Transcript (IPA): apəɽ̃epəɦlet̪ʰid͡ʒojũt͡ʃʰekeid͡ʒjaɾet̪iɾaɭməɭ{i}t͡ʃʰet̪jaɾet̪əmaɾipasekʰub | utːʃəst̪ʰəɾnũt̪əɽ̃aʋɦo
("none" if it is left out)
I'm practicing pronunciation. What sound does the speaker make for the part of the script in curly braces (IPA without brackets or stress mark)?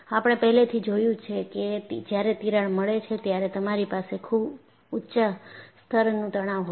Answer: e